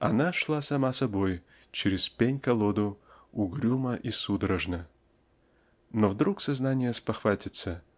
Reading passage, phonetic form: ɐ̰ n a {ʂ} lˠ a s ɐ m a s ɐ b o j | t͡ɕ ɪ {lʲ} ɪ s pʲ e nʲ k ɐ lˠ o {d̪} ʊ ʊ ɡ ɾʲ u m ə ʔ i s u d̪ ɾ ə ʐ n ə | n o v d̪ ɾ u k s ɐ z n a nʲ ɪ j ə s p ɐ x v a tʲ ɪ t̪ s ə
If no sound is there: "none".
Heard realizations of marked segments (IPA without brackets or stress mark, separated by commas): ʂ, ɾʲ, d̪